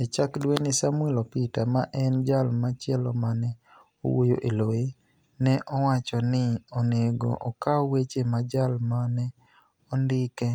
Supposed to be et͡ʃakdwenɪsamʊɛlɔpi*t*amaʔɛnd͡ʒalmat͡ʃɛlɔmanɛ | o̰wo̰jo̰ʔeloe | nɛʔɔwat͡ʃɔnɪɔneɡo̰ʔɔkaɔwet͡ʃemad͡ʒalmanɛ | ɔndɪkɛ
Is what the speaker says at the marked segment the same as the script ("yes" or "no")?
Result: yes